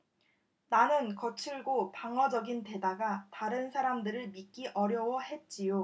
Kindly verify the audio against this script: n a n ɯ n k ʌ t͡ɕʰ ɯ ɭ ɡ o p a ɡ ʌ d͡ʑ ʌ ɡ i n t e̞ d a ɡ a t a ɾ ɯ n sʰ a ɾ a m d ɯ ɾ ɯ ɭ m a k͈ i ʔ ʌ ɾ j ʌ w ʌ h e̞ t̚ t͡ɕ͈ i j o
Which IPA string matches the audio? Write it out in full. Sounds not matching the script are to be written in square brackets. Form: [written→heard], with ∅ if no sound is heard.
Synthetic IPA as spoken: n a n ɯ n k ʌ t͡ɕʰ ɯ ɭ ɡ o p a [ɡ→ŋ] ʌ d͡ʑ ʌ ɡ i n t e̞ d a ɡ a t a ɾ ɯ n sʰ a ɾ a m d ɯ ɾ ɯ ɭ m [a→i] k͈ i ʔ ʌ ɾ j ʌ w ʌ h e̞ t̚ t͡ɕ͈ i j o